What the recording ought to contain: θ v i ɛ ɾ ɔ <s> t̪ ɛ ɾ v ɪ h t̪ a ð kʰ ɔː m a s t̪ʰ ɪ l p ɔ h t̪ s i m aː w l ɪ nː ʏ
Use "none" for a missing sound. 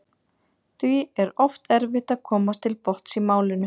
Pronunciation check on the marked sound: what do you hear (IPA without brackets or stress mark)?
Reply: f